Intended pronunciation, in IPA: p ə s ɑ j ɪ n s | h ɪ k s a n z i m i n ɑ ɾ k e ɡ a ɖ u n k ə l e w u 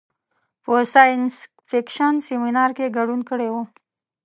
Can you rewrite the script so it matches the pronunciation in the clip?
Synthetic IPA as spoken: p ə s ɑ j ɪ n s | f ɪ k ʃ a n s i m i n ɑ ɾ k e ɡ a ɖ u n k ə ɽ e w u